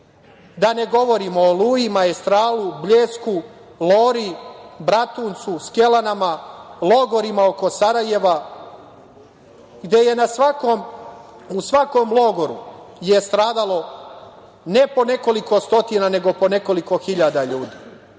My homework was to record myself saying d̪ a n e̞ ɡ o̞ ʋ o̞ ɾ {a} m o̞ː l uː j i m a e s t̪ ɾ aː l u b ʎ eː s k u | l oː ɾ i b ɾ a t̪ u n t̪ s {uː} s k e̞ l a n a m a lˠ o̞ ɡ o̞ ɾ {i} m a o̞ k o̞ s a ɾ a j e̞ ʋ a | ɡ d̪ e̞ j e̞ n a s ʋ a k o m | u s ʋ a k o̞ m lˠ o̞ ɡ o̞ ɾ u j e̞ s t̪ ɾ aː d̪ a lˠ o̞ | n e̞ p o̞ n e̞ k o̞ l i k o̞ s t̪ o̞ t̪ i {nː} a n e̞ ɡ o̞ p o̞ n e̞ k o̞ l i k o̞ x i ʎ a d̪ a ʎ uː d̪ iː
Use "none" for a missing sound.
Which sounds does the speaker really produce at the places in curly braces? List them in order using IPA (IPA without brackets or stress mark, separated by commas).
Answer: i, u, i, n